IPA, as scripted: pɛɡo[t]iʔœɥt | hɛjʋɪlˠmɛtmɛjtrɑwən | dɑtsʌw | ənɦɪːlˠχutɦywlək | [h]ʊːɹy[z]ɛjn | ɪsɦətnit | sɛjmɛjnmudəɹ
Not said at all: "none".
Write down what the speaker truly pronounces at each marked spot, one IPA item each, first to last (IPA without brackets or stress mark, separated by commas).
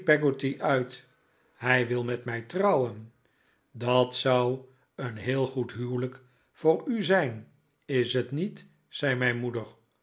t, f, z